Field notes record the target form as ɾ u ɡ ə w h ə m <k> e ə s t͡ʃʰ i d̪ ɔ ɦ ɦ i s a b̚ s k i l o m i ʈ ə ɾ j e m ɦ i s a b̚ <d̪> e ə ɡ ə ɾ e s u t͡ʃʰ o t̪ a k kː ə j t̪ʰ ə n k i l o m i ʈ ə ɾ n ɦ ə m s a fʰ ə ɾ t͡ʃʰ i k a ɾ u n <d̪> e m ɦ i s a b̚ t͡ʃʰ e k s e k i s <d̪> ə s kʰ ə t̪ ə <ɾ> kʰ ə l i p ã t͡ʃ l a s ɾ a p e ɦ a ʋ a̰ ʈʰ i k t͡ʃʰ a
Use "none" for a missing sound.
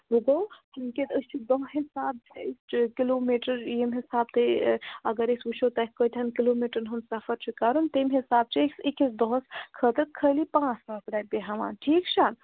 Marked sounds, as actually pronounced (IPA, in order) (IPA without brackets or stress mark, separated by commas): k, t̪, t̪, d̪, ɾ